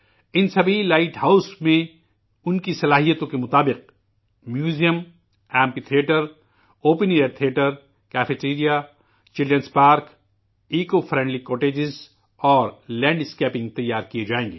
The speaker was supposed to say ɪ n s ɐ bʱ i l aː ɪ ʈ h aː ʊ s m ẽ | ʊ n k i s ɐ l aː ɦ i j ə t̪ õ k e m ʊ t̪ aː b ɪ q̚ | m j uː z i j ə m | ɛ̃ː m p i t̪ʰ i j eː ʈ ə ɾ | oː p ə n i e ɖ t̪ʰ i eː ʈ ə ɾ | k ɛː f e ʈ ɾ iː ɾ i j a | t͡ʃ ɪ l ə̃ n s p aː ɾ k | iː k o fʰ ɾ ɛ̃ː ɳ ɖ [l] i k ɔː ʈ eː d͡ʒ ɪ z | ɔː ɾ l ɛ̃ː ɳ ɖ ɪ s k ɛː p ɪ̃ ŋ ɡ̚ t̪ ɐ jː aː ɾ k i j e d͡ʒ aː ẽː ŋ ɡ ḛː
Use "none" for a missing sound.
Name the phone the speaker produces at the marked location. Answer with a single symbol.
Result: l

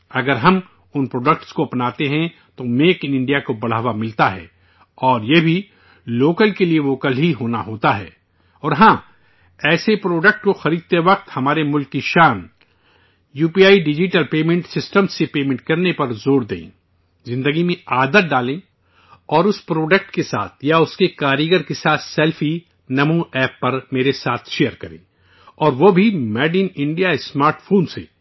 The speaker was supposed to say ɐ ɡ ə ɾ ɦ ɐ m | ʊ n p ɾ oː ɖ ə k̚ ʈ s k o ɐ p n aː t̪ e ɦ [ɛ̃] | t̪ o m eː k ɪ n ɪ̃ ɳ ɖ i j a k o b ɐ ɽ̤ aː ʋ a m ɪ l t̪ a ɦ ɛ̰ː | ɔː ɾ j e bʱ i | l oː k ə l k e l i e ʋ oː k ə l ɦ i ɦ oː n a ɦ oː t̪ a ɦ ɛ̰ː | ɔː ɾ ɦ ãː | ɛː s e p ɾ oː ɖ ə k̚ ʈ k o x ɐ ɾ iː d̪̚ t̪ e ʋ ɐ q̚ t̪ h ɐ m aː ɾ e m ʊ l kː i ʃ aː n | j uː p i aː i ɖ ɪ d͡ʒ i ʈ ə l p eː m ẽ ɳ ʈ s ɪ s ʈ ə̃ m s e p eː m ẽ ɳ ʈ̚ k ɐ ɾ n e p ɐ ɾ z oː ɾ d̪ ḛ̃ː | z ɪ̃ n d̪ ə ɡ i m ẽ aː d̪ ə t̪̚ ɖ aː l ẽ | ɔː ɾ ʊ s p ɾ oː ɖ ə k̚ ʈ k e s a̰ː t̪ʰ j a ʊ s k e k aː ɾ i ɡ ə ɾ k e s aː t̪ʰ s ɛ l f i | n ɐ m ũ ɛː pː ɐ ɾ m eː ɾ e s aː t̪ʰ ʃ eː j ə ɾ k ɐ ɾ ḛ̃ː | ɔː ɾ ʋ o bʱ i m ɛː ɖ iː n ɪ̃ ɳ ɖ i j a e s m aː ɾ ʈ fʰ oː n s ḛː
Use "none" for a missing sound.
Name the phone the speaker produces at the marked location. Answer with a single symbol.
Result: ɛ̃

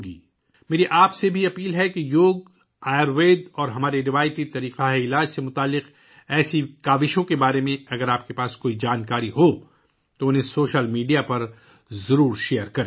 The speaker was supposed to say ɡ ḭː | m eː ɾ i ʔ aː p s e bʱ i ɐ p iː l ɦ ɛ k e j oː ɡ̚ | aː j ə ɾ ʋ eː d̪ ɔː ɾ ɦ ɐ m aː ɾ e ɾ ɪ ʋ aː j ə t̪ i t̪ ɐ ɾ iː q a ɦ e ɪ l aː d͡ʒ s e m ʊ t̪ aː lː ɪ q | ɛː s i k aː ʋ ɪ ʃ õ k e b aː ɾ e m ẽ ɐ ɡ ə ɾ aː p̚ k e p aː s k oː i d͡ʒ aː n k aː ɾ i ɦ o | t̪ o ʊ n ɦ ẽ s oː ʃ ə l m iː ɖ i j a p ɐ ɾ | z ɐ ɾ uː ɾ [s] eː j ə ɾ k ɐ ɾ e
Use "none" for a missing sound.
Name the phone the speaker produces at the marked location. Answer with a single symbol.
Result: ʃ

